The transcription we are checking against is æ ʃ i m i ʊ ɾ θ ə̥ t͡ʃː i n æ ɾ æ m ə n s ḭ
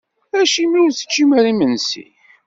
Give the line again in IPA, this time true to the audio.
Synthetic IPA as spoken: æ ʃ i m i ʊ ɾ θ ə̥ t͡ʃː i m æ ɾ i m ə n s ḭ